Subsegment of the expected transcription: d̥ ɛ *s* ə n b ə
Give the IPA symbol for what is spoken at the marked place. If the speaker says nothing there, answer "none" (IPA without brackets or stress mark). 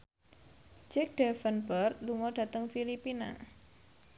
f